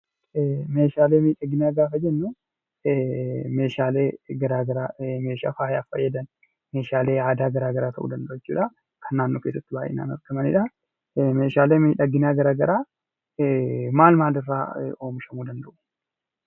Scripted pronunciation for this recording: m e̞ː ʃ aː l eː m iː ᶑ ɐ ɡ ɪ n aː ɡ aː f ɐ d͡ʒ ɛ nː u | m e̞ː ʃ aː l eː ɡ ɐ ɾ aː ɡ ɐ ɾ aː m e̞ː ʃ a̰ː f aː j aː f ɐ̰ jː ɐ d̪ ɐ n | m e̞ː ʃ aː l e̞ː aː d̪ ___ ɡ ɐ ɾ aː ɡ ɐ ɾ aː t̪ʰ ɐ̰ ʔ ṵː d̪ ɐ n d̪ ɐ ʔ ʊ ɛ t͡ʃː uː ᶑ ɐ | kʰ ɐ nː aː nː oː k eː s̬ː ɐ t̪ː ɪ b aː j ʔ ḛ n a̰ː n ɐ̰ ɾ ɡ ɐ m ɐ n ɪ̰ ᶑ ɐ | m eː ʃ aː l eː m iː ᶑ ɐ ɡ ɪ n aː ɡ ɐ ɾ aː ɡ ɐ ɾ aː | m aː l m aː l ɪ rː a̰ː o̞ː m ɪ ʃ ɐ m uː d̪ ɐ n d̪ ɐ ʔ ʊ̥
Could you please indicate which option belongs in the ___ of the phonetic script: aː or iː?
aː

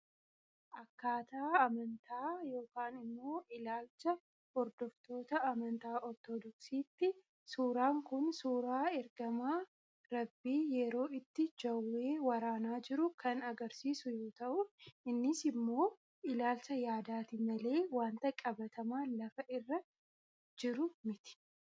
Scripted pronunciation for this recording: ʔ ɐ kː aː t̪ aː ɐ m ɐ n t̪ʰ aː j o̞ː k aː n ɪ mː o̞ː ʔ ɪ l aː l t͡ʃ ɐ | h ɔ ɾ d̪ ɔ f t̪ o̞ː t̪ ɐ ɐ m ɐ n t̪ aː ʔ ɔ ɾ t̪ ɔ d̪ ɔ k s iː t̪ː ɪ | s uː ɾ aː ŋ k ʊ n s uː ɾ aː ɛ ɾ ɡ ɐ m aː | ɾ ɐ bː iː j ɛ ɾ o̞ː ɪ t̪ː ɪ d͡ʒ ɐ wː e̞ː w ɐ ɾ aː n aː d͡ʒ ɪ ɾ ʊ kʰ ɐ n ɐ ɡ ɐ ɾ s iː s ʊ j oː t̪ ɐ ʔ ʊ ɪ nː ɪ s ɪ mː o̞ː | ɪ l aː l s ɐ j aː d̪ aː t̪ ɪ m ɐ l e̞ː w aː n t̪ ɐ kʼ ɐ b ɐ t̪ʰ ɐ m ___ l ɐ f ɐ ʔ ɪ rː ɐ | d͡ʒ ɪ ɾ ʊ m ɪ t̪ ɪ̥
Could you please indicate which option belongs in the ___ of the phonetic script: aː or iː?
aː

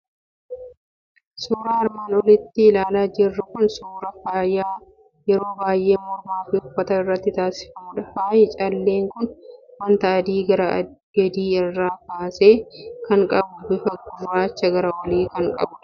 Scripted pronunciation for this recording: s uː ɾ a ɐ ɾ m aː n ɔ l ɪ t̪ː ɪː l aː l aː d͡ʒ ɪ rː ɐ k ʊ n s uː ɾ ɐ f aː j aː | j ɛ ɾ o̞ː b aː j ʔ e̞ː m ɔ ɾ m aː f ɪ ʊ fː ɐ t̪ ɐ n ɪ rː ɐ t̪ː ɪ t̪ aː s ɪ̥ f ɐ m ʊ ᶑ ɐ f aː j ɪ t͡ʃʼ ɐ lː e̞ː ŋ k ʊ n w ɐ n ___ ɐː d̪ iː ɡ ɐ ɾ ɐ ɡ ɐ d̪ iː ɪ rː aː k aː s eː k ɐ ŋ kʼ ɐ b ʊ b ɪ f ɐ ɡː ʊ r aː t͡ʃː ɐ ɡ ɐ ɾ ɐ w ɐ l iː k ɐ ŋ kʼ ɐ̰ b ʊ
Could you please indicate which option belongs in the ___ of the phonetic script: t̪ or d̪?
t̪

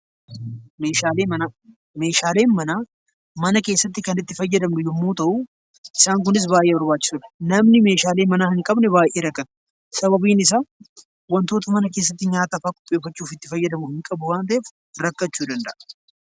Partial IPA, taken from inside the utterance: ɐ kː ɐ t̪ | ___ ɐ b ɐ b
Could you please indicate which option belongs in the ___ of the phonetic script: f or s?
s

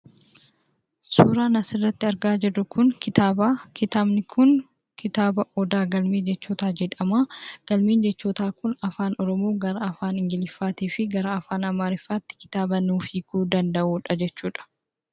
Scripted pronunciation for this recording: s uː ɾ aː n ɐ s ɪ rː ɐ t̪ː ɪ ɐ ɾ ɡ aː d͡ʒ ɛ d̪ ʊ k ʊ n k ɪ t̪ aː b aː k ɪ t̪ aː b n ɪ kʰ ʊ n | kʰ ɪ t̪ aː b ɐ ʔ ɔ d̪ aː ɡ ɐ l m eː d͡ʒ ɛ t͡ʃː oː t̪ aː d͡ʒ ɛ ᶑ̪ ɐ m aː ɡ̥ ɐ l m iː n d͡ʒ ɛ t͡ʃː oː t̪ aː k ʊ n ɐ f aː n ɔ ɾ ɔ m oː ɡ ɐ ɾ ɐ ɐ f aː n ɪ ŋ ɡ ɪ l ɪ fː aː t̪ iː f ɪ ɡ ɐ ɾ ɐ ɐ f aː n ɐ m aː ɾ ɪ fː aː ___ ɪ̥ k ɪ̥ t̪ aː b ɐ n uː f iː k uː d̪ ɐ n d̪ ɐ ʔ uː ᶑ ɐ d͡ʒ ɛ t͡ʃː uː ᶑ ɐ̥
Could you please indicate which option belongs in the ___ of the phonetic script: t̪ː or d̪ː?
t̪ː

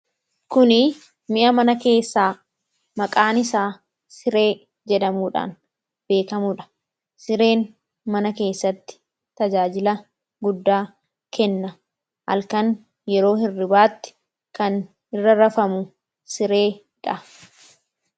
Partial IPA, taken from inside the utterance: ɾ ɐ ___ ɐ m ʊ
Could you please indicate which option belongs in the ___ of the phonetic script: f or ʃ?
f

